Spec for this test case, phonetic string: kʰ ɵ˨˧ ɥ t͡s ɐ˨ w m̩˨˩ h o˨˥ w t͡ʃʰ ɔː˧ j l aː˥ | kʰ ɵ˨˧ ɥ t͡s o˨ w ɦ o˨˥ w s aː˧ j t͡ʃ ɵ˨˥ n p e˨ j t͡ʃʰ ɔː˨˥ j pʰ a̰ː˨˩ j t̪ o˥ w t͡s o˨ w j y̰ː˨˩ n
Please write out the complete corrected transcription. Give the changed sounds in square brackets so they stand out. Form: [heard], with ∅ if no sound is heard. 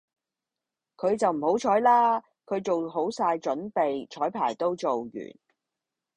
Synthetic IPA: kʰ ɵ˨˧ ɥ t͡s ɐ˨ w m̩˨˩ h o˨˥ w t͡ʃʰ [ɔː˨˥] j l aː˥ | kʰ ɵ˨˧ ɥ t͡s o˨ w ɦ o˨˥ w s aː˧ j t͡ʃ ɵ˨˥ n p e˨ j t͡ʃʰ ɔː˨˥ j pʰ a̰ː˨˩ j t̪ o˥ w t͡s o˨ w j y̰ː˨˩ n